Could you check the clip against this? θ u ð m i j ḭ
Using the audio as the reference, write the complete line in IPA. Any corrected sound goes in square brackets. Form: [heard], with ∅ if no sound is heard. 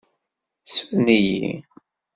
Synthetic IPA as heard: [s] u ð [n] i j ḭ